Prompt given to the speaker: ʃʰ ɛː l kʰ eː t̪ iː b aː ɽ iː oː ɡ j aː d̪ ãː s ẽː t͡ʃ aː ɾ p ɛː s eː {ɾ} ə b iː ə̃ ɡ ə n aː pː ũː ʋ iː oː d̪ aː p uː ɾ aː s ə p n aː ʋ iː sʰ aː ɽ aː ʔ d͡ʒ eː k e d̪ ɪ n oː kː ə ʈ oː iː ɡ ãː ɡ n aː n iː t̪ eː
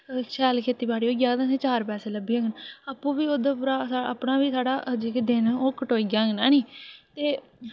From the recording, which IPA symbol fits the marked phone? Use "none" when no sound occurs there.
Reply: l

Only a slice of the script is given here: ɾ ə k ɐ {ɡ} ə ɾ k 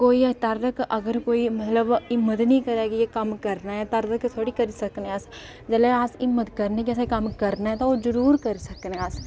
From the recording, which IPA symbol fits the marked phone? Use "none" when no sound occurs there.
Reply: ɡ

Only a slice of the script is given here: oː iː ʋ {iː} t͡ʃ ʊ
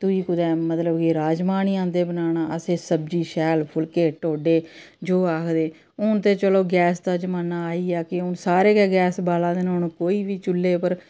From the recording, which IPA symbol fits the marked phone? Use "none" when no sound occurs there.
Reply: iː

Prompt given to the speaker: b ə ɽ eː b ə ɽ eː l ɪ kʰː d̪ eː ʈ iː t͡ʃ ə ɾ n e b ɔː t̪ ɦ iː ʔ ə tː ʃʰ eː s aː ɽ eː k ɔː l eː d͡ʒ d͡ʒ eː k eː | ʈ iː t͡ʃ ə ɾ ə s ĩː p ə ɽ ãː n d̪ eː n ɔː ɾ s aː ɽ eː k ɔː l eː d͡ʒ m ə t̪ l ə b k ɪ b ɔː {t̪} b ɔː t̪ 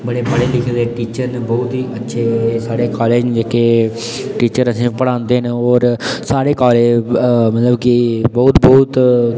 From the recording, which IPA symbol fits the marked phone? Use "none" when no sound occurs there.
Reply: t̪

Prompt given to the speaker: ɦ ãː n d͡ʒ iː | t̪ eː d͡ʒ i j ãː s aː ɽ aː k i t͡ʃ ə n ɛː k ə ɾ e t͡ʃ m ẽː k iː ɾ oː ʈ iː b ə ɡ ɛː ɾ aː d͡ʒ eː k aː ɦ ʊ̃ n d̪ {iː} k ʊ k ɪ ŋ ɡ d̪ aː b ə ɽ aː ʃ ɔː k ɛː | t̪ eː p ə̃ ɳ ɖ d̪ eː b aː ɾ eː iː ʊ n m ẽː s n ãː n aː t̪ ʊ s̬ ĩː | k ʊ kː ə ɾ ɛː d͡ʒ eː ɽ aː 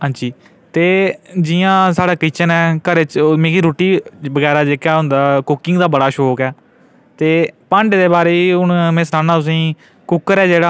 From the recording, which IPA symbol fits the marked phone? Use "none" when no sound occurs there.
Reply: aː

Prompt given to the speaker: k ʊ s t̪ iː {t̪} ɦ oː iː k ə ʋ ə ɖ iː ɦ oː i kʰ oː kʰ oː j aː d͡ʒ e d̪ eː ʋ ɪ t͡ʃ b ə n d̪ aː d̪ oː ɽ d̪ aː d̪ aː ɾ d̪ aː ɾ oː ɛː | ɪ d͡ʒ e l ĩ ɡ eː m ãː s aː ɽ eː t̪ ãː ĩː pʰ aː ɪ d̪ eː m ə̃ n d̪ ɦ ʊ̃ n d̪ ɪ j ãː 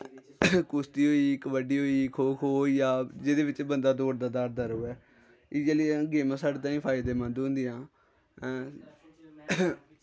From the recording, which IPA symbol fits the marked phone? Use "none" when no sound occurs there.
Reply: none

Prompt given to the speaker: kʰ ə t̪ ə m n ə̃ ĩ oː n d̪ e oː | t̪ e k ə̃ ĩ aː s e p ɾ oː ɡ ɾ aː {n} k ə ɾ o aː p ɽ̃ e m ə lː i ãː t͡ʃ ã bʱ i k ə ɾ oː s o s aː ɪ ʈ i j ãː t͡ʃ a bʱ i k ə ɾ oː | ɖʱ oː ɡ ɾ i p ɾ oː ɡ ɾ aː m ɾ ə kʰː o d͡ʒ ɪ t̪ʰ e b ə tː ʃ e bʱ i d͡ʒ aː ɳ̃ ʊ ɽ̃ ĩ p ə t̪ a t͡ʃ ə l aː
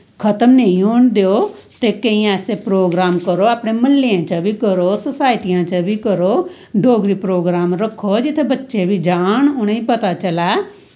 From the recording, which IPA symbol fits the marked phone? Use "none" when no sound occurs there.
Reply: m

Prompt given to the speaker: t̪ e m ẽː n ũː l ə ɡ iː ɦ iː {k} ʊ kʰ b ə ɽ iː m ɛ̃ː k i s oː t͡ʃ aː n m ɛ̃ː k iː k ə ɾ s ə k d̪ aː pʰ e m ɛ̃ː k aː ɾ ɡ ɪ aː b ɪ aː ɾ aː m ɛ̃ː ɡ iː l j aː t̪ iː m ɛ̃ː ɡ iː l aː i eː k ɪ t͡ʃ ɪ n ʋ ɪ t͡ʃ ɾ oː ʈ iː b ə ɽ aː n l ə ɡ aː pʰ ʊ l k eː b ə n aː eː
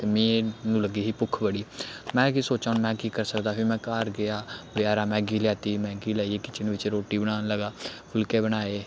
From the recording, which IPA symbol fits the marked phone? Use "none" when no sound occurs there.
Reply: p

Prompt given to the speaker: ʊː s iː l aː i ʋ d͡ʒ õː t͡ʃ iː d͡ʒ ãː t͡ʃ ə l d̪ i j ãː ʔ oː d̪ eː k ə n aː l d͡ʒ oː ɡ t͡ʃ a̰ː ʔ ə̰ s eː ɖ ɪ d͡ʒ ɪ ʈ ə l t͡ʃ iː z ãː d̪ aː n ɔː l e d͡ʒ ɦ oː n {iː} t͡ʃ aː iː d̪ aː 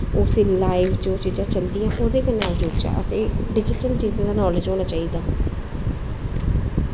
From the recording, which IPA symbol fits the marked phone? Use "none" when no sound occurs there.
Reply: aː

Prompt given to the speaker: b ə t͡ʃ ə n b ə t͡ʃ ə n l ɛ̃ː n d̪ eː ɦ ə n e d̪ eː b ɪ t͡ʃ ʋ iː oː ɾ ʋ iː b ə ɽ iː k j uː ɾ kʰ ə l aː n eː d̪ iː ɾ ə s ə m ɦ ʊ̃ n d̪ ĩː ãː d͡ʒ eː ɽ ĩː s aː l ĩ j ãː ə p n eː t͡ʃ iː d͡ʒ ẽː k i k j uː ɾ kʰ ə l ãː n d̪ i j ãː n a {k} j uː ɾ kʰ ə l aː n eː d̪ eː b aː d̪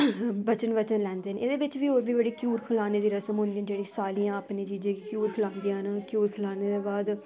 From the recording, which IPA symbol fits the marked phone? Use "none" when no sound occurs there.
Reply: k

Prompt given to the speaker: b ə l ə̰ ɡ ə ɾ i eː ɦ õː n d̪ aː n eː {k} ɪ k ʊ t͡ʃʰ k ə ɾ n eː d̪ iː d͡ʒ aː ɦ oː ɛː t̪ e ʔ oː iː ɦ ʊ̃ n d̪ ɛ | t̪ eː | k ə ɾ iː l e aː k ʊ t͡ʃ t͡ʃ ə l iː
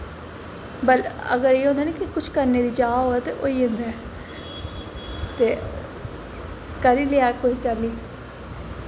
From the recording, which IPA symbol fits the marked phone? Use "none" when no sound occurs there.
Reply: k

